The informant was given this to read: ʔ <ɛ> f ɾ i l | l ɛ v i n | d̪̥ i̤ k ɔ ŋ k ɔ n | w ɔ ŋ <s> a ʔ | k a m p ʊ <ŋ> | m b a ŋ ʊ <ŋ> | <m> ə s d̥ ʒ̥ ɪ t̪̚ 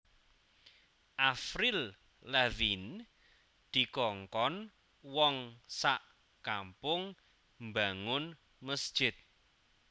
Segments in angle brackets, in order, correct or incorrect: incorrect, correct, correct, incorrect, correct

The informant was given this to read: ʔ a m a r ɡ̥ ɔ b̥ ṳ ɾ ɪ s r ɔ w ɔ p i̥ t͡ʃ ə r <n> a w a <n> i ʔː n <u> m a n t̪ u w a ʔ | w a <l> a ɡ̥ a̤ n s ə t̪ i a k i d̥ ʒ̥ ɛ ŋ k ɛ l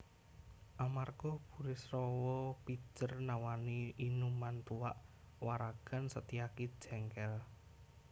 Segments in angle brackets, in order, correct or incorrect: correct, correct, correct, incorrect

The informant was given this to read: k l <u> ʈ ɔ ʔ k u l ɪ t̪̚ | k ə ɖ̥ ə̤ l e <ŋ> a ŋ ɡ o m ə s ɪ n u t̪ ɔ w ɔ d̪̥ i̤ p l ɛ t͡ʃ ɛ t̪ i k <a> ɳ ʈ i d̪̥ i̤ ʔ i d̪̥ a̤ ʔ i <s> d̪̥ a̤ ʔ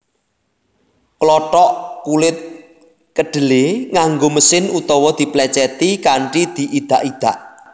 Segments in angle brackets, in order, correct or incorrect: incorrect, correct, correct, incorrect

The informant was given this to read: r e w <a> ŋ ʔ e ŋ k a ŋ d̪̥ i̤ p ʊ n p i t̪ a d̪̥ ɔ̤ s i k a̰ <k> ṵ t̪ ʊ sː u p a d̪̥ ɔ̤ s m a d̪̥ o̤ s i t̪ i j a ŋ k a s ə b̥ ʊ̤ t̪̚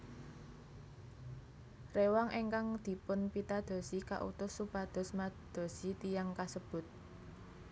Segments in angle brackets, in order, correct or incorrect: correct, incorrect

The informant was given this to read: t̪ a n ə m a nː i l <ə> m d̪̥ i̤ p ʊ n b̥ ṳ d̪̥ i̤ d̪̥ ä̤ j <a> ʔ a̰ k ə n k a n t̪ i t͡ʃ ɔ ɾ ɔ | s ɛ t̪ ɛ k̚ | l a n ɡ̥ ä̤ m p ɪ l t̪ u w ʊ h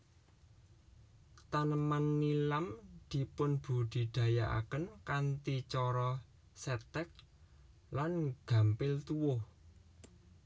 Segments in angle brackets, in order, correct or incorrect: incorrect, correct

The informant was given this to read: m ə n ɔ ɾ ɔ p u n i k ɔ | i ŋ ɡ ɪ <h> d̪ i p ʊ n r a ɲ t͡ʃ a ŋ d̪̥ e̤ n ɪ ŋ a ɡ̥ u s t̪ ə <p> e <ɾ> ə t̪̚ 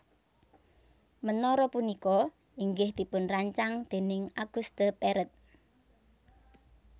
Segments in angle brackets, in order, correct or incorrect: correct, correct, correct

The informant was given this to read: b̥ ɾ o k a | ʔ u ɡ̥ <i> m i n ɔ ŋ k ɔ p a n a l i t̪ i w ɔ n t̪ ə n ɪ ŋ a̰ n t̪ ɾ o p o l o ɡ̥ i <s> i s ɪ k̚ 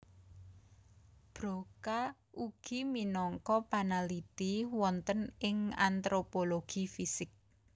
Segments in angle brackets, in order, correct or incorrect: correct, incorrect

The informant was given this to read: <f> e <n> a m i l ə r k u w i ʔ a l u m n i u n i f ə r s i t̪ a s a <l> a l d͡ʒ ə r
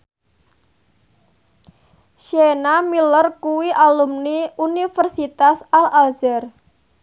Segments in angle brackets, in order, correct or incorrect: incorrect, correct, correct

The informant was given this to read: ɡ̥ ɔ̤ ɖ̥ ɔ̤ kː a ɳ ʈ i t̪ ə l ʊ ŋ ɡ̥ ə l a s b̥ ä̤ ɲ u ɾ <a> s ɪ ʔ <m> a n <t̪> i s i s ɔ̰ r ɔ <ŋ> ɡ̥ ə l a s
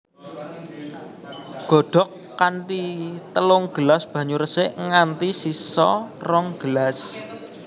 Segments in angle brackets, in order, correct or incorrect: incorrect, incorrect, correct, correct

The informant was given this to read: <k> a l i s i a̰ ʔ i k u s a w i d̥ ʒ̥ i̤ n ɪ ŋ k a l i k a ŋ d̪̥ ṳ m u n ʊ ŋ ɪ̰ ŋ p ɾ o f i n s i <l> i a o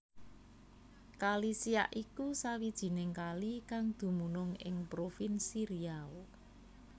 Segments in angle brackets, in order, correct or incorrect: correct, incorrect

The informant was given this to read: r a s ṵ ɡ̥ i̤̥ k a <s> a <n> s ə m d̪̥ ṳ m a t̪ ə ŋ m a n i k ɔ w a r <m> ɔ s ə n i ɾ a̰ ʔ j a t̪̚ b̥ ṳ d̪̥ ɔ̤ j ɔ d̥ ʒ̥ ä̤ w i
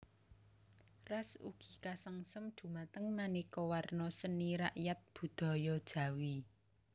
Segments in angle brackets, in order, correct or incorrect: correct, incorrect, incorrect

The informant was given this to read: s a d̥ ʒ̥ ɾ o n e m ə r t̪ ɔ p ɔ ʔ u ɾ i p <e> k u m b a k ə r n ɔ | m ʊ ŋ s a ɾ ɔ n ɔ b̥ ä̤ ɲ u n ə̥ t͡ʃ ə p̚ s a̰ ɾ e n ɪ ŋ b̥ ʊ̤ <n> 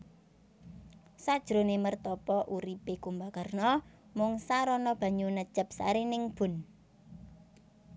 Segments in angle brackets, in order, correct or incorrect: correct, correct

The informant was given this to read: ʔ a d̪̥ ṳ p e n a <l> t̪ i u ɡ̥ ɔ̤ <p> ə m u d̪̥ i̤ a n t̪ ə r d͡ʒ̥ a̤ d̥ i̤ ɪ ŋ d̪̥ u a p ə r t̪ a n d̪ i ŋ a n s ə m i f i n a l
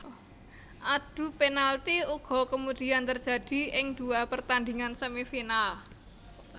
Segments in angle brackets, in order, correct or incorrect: correct, incorrect

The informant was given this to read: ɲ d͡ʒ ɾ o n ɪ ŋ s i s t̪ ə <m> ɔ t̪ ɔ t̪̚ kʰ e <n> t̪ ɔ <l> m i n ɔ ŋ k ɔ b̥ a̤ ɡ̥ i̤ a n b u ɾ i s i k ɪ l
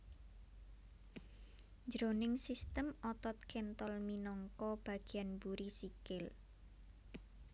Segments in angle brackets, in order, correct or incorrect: correct, correct, correct

